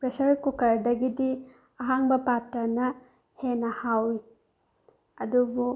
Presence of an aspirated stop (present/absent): absent